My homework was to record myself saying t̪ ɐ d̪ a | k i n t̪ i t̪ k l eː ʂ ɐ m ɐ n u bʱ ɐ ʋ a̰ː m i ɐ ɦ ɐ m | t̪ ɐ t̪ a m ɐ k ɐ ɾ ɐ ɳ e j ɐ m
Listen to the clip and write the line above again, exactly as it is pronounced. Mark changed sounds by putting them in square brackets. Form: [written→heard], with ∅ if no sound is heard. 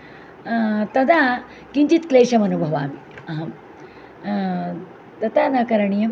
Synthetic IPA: t̪ ɐ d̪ a | k i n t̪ i t̪ k l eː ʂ ɐ m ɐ n u bʱ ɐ ʋ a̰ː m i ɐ ɦ ɐ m | t̪ ɐ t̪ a [m→n] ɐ k ɐ ɾ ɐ ɳ [e→i] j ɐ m